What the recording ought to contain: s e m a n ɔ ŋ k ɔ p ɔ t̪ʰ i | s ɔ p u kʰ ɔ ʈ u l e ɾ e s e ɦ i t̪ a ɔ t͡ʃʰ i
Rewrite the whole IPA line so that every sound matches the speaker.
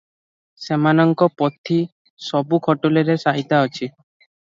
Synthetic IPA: s e m a n ɔ ŋ k ɔ p ɔ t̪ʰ i | s ɔ b u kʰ ɔ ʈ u l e ɾ e s a ɦ i t̪ a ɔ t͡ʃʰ i